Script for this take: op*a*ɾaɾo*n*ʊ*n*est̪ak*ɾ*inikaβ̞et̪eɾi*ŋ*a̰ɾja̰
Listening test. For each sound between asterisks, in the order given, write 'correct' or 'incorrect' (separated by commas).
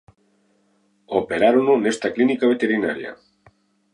incorrect, correct, correct, incorrect, incorrect